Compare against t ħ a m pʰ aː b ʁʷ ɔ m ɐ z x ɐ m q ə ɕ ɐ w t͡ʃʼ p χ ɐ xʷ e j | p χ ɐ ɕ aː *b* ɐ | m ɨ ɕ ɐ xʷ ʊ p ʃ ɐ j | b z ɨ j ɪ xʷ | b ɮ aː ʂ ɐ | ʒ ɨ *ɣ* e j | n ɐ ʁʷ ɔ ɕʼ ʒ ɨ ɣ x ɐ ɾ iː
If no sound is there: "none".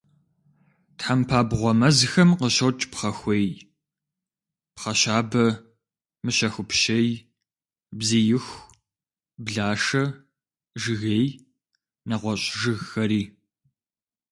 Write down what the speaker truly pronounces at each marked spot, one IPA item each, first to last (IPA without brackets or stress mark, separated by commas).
b, ɣ